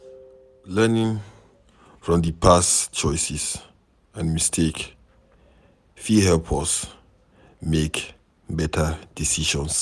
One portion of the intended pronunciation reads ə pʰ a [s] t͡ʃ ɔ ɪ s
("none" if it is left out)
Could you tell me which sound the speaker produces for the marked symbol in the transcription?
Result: s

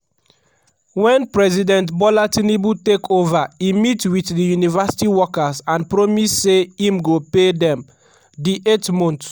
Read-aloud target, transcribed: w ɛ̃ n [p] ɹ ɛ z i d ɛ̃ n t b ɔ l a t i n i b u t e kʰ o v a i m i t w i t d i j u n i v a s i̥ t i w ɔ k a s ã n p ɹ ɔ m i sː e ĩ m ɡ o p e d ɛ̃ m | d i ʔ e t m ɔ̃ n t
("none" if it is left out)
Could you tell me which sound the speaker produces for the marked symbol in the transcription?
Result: p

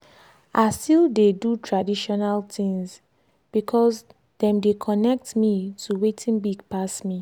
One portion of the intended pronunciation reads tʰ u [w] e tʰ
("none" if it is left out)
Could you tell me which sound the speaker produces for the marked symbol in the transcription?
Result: w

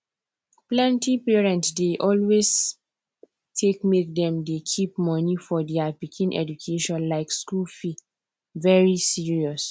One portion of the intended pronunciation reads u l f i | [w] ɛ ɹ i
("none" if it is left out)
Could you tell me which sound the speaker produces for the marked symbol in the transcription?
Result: v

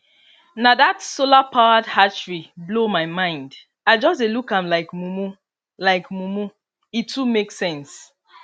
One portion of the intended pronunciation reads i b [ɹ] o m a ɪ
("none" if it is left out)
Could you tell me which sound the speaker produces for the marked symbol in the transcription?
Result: l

